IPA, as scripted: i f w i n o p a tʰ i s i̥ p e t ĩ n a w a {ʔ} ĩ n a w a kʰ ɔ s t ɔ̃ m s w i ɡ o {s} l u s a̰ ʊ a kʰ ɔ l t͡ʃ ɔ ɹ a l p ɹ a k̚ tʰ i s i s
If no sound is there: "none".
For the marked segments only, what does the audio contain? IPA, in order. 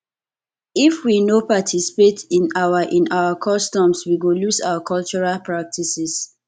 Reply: ʔ, none

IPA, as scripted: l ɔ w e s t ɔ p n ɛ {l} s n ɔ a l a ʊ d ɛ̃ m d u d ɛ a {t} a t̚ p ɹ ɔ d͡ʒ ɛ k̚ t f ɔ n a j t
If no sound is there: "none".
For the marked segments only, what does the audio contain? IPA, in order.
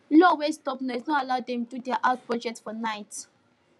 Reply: none, ʔ

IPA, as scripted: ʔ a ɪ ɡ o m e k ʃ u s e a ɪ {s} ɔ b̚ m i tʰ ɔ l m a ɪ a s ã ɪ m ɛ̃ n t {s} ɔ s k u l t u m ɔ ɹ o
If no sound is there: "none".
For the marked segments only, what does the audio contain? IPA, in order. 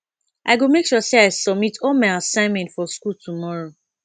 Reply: s, f

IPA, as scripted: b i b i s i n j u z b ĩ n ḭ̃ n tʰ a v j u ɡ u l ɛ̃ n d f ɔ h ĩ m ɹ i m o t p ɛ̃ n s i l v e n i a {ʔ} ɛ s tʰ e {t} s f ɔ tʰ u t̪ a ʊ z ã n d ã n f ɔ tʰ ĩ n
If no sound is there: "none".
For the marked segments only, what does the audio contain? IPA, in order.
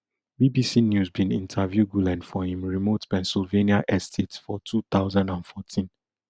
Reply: ʔ, t

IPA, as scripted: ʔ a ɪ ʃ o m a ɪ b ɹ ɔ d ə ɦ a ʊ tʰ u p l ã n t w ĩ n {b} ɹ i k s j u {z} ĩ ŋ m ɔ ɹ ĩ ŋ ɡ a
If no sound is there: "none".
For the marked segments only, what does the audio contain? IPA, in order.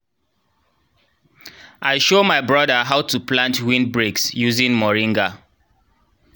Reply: b, z

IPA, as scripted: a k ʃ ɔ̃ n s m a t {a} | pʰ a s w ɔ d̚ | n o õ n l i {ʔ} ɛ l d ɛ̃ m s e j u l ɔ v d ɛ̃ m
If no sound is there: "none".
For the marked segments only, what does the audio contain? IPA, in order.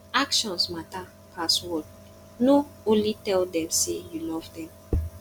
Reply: a, t

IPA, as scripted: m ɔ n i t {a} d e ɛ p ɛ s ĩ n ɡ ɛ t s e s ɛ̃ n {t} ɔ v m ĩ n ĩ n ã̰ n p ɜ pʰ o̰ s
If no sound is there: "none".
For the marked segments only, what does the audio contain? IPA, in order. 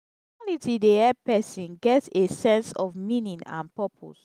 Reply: i, s

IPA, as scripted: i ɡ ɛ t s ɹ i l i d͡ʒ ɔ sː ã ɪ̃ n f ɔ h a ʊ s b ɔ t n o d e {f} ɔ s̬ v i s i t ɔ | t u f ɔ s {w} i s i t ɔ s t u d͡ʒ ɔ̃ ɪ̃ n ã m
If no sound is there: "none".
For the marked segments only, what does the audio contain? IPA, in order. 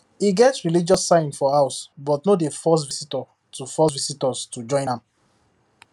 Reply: f, v

